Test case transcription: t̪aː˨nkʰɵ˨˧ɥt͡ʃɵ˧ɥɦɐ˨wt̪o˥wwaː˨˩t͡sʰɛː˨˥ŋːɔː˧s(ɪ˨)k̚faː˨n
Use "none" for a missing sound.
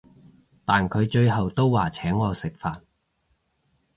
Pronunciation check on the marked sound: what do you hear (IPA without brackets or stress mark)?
ɪ˨